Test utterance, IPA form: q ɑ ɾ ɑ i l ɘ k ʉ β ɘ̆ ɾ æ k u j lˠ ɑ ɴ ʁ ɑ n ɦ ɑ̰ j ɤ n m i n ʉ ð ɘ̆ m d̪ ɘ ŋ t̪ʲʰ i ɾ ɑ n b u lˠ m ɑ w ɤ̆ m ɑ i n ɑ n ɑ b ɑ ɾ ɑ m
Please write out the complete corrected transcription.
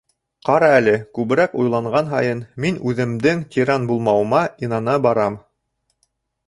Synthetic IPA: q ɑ ɾ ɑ æ l ɘ k ʉ β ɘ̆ ɾ æ k u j lˠ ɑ ɴ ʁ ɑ n ɦ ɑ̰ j ɤ n m i n ʉ ð ɘ̆ m d̪ ɘ ŋ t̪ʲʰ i ɾ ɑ n b u lˠ m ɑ w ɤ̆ m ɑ i n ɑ n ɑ b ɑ ɾ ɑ m